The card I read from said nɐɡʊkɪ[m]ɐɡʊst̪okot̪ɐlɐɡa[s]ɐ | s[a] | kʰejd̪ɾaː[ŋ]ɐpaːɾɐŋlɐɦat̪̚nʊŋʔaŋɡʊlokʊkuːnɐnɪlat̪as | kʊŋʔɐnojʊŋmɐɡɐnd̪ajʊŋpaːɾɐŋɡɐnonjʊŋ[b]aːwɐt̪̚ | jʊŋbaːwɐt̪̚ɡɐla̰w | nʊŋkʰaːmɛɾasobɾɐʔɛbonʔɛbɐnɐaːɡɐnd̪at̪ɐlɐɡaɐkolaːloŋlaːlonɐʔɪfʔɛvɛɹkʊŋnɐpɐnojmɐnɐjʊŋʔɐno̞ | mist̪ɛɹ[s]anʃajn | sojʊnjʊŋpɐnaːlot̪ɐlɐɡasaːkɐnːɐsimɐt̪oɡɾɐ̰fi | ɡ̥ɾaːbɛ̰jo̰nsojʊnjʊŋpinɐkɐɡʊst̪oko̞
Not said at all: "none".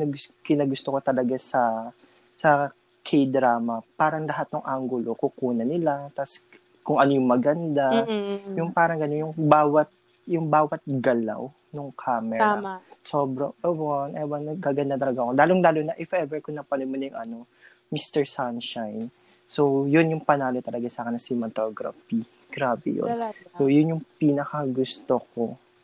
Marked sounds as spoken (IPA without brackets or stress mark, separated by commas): n, s, ɐ, m, b, s